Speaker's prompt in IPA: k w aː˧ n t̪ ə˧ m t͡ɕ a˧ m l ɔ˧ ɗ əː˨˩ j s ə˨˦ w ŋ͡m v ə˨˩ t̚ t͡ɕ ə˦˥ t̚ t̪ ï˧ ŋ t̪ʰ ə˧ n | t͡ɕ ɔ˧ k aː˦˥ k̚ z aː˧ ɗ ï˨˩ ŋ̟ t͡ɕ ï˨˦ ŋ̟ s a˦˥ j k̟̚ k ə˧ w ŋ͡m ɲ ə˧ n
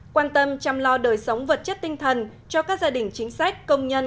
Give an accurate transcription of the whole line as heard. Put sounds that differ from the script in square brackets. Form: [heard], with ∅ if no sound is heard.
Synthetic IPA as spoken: k w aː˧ n t̪ ə˧ m t͡ɕ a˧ m l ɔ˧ ɗ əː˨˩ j s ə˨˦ w ŋ͡m v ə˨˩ t̚ t͡ɕ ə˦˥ t̚ t̪ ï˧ ŋ t̪ʰ [ə˨˩] n | t͡ɕ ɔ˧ k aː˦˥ k̚ z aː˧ ɗ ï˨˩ ŋ̟ t͡ɕ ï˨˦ ŋ̟ s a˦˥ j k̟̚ k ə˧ w ŋ͡m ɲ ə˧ n